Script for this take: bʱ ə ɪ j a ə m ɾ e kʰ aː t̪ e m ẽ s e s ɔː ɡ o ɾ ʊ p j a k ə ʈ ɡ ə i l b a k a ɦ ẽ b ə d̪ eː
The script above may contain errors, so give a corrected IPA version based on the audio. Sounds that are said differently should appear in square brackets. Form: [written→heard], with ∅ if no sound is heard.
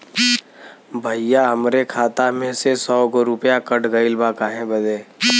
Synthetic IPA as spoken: bʱ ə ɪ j a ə m ɾ e kʰ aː t̪ [e→a] m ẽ s e s ɔː ɡ o ɾ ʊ p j a k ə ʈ ɡ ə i l b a k a ɦ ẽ b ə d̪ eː

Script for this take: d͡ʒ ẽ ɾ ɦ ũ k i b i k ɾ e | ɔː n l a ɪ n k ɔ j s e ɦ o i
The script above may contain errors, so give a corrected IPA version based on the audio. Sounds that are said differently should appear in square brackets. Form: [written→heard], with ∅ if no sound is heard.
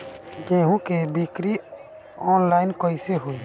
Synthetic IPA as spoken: d͡ʒ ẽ [ɾ→∅] ɦ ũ k [i→e] b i k ɾ [e→i] | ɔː n l a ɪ n k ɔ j s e ɦ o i

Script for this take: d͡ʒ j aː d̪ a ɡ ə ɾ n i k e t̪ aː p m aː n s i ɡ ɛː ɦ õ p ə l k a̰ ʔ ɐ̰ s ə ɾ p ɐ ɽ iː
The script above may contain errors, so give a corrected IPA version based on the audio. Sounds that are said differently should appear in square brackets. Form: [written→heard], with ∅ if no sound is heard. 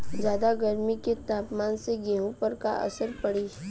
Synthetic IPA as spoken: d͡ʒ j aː d̪ a ɡ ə ɾ [n→m] i k e t̪ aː p m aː n s [i→e] ɡ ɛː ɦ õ p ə [l→ɾ] k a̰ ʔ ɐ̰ s ə ɾ p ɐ ɽ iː

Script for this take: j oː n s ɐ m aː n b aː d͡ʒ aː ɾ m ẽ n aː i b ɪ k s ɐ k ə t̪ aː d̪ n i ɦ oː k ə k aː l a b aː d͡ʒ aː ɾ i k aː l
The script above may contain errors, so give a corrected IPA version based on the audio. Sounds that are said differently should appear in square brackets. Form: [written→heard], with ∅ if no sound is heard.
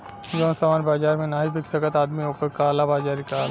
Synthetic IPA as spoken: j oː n s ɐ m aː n b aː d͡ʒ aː ɾ m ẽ n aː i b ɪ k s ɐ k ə t̪ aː d̪ [n→m] i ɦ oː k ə k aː l a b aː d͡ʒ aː ɾ i k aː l

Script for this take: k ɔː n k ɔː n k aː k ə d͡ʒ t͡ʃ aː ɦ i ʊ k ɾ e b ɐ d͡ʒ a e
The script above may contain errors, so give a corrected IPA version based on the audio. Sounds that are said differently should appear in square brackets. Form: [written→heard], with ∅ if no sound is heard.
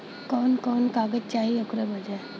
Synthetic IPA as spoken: k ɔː n k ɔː n k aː [k→ɡ] ə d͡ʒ t͡ʃ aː ɦ i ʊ k ɾ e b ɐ d͡ʒ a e

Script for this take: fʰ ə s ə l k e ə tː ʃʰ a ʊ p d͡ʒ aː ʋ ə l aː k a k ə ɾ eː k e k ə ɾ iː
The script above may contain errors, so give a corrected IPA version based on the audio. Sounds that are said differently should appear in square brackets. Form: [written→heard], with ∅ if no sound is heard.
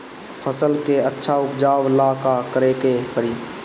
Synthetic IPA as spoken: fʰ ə s ə l k e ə tː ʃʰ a ʊ p d͡ʒ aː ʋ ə l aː k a k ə ɾ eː k e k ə ɾ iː

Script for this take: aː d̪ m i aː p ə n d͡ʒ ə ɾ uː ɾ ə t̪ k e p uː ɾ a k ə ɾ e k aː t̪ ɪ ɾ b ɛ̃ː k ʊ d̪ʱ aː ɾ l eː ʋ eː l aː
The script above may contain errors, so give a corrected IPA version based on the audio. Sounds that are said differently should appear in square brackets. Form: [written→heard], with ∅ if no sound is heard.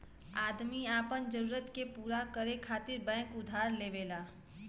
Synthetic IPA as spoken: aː d̪ m i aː p ə n d͡ʒ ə ɾ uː ɾ ə t̪ k e p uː ɾ a k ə ɾ e [k→kʰ] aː t̪ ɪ ɾ b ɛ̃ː k ʊ d̪ʱ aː ɾ l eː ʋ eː l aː

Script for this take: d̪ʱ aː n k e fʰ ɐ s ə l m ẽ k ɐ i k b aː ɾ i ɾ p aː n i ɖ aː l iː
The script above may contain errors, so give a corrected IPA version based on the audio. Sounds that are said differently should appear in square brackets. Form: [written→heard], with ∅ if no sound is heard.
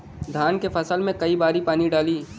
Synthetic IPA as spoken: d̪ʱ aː n k e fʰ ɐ s ə l m ẽ k ɐ i [k→∅] b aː ɾ i [ɾ→∅] p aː n i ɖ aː l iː

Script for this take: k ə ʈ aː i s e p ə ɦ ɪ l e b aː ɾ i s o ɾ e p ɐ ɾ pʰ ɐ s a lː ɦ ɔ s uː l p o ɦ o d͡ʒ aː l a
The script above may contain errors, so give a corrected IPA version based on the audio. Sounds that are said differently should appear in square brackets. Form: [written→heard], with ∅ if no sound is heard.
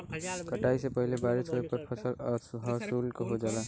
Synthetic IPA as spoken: k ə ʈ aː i s e p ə ɦ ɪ l e b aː ɾ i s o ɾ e p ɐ ɾ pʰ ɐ s [a→ə] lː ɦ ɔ s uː l [p→k] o ɦ o d͡ʒ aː l a

